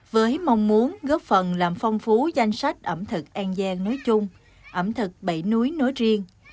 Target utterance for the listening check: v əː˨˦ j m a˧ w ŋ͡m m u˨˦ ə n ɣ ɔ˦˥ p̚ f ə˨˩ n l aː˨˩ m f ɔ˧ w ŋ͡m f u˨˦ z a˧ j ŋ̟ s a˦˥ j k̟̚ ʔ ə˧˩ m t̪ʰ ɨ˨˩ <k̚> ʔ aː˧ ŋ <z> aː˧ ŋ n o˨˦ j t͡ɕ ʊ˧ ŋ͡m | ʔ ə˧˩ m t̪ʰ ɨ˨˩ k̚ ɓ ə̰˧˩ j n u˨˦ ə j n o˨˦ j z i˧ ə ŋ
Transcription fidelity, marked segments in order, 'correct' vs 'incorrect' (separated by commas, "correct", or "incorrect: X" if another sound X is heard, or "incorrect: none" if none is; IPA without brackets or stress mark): correct, correct